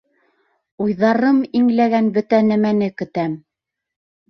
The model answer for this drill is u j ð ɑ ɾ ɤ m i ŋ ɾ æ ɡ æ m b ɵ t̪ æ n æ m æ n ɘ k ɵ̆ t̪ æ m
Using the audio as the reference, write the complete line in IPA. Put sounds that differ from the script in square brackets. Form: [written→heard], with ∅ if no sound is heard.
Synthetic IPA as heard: u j ð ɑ ɾ ɤ m i ŋ [ɾ→l] æ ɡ æ [m→n] b ɵ t̪ æ n æ m æ n ɘ k ɵ̆ t̪ æ m

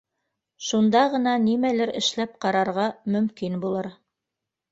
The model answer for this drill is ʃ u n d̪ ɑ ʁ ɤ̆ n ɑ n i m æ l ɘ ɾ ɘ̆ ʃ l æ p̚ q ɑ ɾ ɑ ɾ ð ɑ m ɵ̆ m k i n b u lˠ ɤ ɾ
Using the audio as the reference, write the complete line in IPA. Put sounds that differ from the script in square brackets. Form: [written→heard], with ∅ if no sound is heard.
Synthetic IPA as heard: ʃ u n d̪ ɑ ʁ ɤ̆ n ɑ n i m æ l ɘ ɾ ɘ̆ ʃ l æ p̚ q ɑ ɾ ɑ ɾ [ð→ʁ] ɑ m ɵ̆ m k i n b u lˠ ɤ ɾ

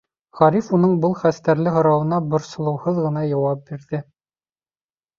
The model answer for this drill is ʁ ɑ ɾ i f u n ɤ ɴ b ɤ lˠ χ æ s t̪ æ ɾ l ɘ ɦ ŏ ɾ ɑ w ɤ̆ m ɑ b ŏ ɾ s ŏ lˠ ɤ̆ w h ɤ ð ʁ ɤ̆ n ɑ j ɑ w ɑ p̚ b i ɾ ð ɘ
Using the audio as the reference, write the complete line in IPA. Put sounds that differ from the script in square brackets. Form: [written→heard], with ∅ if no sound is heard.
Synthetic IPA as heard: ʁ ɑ ɾ i f u n ɤ ɴ b ɤ lˠ χ æ s t̪ æ ɾ l ɘ ɦ ŏ ɾ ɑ w ɤ̆ [m→n] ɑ b ŏ ɾ s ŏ lˠ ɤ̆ w h ɤ ð ʁ ɤ̆ n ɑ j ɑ w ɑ p̚ b i ɾ ð ɘ

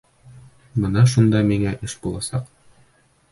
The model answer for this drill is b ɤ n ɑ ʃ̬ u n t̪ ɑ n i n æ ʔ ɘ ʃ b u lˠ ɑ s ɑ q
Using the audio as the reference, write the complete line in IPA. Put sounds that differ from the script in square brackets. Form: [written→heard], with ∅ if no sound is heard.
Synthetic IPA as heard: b ɤ n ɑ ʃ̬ u n [t̪→d̪] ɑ [n→m] i [n→ŋ] æ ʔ ɘ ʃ b u lˠ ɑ s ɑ q

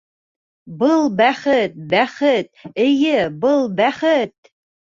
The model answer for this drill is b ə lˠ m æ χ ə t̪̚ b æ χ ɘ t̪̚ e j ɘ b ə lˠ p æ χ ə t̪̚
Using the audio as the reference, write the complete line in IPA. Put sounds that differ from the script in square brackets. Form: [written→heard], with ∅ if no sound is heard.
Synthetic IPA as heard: b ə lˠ [m→b] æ χ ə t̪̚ b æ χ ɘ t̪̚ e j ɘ b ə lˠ [p→b] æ χ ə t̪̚

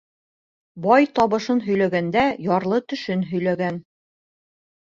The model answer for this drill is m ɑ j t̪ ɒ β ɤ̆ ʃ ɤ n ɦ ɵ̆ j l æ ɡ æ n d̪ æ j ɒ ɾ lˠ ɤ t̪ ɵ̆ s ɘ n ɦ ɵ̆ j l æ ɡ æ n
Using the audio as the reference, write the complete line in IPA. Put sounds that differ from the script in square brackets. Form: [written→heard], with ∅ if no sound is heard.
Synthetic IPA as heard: [m→b] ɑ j t̪ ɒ β ɤ̆ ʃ ɤ n ɦ ɵ̆ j l æ ɡ æ n d̪ æ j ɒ ɾ lˠ ɤ t̪ ɵ̆ [s→ʃ] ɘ n ɦ ɵ̆ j l æ ɡ æ n

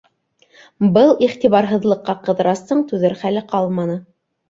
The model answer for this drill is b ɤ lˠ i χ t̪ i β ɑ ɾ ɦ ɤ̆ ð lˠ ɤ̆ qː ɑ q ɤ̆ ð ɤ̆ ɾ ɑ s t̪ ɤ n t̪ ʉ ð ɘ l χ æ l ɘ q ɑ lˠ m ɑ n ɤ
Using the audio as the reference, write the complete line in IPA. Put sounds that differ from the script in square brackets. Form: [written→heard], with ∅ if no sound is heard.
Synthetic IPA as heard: b ɤ lˠ i χ t̪ i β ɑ ɾ ɦ ɤ̆ ð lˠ ɤ̆ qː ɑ q ɤ̆ ð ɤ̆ ɾ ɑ s t̪ ɤ [n→ɴ] t̪ ʉ ð ɘ [l→ɾ] χ æ l ɘ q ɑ lˠ m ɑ n ɤ

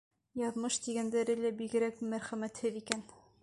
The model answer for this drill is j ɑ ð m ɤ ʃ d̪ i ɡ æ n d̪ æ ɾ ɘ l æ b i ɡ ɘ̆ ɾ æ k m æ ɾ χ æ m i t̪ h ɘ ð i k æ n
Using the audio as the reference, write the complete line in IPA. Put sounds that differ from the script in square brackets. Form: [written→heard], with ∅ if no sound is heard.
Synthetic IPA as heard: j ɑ ð m ɤ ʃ [d̪→t̪] i ɡ æ n d̪ æ ɾ ɘ l æ b i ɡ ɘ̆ ɾ æ k m æ ɾ χ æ m [i→æ] t̪ h ɘ ð i k æ n

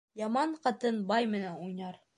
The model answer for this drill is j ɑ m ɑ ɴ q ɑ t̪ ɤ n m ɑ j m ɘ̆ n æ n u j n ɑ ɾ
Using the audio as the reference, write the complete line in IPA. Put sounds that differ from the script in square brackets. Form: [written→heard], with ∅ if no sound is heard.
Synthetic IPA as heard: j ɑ m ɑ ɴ q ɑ t̪ ɤ n [m→b] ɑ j m ɘ̆ n æ n u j n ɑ ɾ

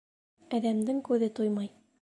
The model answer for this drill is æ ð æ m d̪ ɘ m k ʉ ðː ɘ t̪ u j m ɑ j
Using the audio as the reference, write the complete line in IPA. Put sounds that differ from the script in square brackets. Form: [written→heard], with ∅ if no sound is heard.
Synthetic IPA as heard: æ ð æ m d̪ ɘ [m→ŋ] k ʉ [ðː→ð] ɘ t̪ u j m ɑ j

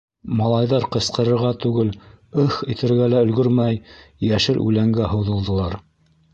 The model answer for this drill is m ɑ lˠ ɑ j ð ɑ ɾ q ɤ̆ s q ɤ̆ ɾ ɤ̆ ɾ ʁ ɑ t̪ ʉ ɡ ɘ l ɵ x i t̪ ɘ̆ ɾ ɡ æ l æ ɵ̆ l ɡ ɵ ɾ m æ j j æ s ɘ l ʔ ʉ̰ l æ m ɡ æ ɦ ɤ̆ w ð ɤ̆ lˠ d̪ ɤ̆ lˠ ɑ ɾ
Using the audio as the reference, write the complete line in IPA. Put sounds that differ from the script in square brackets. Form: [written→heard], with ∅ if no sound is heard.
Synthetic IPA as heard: m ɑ lˠ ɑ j ð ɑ ɾ q ɤ̆ s q ɤ̆ ɾ ɤ̆ ɾ ʁ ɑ t̪ ʉ ɡ ɘ l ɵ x i t̪ ɘ̆ ɾ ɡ æ l æ ɵ̆ l ɡ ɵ ɾ m æ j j æ [s→ʃ] ɘ l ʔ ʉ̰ l æ [m→ŋ] ɡ æ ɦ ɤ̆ w ð ɤ̆ lˠ d̪ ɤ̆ lˠ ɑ ɾ

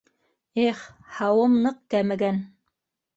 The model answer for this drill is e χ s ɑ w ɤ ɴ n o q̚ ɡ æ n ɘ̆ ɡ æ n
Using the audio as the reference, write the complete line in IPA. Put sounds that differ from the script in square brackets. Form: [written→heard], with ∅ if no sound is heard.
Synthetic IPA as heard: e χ [s→h] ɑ w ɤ [ɴ→m] n [o→ɤ] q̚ [ɡ→k] æ [n→m] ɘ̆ ɡ æ n

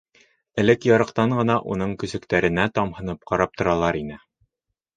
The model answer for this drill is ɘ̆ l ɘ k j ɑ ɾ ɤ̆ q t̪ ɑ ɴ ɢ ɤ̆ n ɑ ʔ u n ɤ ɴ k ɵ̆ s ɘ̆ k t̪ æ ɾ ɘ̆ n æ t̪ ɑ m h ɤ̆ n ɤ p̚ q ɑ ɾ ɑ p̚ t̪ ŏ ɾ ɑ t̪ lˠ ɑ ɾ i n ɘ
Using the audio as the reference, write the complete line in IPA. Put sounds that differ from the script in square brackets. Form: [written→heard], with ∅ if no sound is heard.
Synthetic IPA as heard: ɘ̆ l ɘ k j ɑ ɾ ɤ̆ q t̪ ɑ ɴ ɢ ɤ̆ n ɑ ʔ u n ɤ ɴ k ɵ̆ s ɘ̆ k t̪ æ ɾ ɘ̆ n æ t̪ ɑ m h ɤ̆ n ɤ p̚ q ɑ ɾ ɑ p̚ t̪ ŏ ɾ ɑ [t̪→∅] lˠ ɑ ɾ i n ɘ

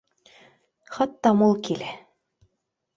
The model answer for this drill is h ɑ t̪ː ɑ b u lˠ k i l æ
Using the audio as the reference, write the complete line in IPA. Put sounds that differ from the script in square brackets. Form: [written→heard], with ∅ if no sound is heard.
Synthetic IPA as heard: [h→χ] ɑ t̪ː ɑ [b→m] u lˠ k i l æ

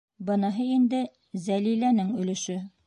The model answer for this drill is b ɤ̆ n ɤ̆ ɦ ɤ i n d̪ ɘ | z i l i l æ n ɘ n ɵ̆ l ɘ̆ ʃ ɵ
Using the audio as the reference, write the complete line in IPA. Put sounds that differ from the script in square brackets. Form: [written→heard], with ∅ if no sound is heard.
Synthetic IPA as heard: b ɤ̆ n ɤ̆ ɦ ɤ i n d̪ ɘ | z [i→æ] l i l æ n ɘ [n→ŋ] ɵ̆ l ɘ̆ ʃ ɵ

